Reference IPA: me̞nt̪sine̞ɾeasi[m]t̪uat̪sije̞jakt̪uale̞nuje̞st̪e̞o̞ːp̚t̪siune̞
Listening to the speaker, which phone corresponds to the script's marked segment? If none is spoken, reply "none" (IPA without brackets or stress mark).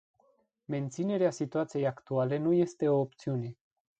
none